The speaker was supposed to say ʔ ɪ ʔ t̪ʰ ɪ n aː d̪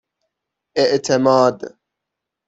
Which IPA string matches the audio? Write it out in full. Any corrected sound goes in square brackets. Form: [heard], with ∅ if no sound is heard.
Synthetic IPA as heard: ʔ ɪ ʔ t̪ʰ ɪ [m] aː d̪